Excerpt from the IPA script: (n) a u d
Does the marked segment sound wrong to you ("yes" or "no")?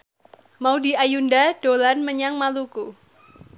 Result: yes